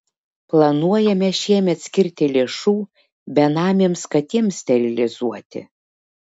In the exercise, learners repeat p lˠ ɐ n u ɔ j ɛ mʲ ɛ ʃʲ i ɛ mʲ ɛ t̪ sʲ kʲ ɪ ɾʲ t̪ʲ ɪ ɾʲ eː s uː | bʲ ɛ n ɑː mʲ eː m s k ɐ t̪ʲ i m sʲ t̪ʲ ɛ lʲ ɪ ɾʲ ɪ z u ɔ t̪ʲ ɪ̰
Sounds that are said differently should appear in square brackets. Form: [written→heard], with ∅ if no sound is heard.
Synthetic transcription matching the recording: p lˠ ɐ n u ɔ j ɛ mʲ ɛ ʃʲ i ɛ mʲ ɛ t̪ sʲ kʲ ɪ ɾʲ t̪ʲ ɪ [ɾʲ→lʲ] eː [s→ʃ] uː | bʲ ɛ n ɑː mʲ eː m s k ɐ t̪ʲ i m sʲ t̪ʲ ɛ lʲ ɪ [ɾʲ→lʲ] ɪ z u ɔ t̪ʲ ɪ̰